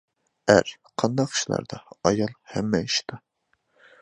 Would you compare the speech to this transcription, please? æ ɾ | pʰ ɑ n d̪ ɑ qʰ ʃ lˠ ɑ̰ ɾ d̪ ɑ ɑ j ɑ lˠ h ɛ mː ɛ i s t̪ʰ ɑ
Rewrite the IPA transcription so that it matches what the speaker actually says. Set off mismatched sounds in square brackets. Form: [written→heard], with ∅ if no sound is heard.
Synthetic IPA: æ ɾ | [pʰ→qʰ] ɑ n d̪ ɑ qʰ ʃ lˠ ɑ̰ ɾ d̪ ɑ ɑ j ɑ lˠ h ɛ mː ɛ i [s→ʃ] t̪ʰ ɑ